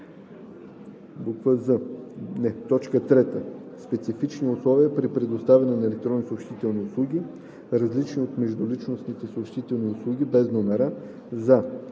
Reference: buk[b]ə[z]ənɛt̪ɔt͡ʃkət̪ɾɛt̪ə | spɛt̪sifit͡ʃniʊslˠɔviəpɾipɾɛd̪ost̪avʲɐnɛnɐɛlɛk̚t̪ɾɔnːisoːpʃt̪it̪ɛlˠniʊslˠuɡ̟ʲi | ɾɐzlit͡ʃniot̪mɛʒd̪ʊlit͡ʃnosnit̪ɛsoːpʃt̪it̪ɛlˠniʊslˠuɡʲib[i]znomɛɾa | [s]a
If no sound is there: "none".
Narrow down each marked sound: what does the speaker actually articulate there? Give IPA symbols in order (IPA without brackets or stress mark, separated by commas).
v, z, ɛ, z